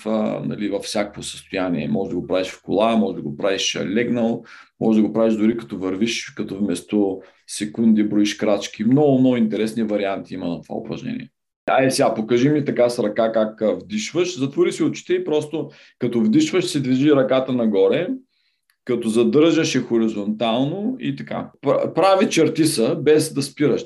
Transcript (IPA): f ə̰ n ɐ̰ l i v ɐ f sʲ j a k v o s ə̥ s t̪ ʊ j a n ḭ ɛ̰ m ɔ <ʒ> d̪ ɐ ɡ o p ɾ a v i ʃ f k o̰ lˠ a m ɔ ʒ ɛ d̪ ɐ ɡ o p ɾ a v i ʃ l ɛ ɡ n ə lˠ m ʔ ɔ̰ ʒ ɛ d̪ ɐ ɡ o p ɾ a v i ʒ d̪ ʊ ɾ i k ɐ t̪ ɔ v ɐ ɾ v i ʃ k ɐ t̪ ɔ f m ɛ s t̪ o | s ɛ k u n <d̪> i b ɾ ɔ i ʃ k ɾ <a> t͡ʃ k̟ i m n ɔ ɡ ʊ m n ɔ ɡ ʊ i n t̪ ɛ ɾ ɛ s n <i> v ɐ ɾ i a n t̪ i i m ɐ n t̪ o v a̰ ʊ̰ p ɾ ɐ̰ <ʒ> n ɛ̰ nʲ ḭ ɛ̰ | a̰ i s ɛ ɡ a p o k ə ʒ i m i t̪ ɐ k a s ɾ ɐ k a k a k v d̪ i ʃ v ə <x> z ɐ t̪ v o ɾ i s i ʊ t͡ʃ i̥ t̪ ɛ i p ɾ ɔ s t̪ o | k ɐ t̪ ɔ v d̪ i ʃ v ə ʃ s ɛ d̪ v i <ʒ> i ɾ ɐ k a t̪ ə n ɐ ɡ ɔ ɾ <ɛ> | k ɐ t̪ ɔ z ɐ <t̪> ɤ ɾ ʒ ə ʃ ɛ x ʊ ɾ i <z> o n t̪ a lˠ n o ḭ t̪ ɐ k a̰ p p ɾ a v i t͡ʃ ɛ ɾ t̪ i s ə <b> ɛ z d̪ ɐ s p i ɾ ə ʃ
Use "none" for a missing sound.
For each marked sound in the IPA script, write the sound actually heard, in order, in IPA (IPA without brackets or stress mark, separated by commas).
ʒ, d̪, a, i, ʒ, ʃ, ʒ, ɛ, d̪, z, b